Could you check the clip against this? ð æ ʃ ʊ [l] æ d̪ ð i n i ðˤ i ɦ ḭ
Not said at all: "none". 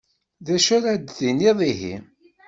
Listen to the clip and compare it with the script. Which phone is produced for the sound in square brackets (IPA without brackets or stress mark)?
ɾ